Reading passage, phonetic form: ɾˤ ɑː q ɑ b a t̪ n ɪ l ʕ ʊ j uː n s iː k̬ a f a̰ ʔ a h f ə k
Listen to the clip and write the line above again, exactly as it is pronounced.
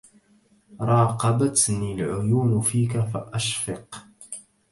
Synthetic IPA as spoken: ɾˤ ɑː q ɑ b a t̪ n i l ʕ ʊ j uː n f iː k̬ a f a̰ ʔ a ʃ f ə q